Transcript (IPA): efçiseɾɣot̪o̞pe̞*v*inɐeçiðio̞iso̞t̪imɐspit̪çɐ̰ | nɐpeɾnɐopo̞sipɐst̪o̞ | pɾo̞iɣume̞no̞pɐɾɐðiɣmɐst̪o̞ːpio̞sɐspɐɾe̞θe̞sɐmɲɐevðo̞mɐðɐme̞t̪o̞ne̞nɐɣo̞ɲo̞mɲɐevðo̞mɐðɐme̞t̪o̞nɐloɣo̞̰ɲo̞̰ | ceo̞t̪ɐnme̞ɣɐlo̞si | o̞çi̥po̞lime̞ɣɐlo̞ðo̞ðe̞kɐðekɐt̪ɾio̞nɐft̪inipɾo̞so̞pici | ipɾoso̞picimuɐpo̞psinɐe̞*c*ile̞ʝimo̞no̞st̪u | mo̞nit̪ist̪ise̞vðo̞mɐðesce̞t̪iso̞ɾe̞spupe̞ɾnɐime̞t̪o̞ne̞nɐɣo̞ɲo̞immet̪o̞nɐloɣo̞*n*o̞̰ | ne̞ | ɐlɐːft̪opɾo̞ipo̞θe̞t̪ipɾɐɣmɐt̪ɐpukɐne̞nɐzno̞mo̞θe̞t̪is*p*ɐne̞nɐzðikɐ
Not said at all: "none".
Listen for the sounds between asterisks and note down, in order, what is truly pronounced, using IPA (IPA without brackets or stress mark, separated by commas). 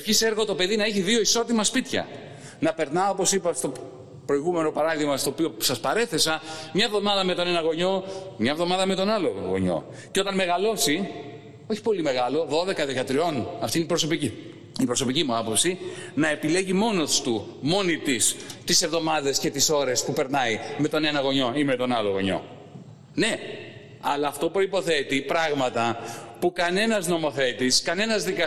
ð, p, ɲ, k